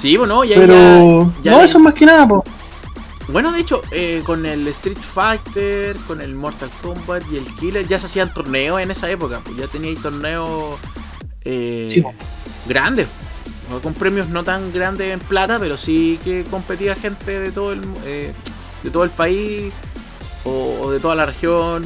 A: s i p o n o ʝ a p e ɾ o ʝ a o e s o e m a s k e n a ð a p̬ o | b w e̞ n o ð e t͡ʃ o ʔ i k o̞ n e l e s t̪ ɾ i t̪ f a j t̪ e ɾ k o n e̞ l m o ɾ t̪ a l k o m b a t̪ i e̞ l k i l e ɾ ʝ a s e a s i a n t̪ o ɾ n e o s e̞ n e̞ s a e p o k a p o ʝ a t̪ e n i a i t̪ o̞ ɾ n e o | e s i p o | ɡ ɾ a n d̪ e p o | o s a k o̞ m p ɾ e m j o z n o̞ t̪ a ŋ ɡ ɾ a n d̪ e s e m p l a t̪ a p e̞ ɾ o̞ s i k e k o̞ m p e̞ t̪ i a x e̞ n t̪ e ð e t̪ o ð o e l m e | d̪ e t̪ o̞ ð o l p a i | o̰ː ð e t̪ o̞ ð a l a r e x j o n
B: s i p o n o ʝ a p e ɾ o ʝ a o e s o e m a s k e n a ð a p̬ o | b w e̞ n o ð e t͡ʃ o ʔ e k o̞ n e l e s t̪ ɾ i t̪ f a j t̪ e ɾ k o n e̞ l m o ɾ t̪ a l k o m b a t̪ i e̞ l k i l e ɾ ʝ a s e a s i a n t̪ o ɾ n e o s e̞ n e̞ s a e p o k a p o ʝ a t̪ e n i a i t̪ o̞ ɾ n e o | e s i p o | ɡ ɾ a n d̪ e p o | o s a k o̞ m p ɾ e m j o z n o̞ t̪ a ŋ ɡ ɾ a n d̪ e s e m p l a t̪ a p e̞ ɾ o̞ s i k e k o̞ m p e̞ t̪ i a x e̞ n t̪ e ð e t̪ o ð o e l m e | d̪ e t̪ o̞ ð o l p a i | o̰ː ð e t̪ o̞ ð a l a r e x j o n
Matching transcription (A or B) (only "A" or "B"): B